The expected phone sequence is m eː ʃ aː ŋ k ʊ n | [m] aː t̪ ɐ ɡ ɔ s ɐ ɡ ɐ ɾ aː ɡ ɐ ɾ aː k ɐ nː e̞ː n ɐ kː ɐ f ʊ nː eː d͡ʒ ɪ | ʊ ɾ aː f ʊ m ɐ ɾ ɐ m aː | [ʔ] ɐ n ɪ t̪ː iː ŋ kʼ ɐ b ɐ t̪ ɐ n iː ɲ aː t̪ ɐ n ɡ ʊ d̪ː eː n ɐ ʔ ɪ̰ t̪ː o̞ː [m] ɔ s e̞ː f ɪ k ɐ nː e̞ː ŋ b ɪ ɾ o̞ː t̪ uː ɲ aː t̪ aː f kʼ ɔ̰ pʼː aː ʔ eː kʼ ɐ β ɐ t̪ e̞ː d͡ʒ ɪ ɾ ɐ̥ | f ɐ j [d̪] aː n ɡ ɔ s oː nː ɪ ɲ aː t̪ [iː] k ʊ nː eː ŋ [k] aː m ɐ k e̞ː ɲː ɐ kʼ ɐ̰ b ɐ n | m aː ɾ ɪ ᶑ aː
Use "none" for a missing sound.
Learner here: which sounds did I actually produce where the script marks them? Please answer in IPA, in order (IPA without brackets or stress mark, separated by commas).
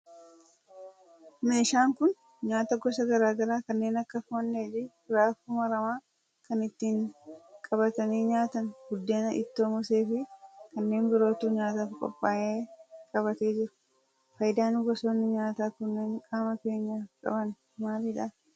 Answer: ɲ, k, m, d̪, aː, kʼ